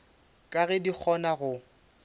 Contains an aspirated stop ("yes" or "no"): yes